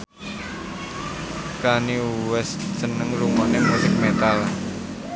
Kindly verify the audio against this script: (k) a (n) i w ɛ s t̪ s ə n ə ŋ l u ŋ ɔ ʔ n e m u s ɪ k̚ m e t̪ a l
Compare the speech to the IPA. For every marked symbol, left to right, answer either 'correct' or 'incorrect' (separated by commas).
correct, correct